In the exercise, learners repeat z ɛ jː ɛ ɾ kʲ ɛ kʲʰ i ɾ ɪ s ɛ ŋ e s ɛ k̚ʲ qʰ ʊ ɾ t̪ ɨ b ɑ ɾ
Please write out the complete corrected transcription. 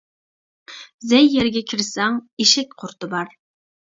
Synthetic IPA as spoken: z ɛ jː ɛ ɾ ɡʲ ɛ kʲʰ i ɾ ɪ s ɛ ŋ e ʃ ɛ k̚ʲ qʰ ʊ ɾ t̪ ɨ b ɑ ɾ